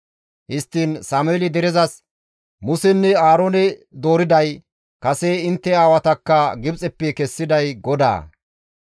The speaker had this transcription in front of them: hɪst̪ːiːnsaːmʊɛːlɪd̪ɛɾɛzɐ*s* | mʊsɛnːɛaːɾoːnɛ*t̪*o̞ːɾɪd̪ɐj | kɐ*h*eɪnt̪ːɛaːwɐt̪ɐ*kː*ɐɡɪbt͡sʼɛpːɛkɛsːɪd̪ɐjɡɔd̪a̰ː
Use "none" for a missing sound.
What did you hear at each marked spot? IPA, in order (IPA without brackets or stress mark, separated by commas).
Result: s, d̪, s, kː